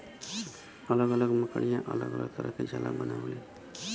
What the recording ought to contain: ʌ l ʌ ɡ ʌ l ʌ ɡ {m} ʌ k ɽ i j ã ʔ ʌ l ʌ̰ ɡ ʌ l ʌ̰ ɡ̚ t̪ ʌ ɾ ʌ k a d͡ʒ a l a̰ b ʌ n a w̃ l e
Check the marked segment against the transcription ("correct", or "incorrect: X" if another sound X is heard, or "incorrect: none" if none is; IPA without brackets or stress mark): correct